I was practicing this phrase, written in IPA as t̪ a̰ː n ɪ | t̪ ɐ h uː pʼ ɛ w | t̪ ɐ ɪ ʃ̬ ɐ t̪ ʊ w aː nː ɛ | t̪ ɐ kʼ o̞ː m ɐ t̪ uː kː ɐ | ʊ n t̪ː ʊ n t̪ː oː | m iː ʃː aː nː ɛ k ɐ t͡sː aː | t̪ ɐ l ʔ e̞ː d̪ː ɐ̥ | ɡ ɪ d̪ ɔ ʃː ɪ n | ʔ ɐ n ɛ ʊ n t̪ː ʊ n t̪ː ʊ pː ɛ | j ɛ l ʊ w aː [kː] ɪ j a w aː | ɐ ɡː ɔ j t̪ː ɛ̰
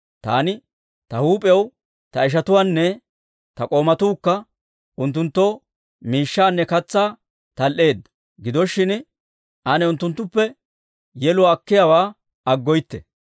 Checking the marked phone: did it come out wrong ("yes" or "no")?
no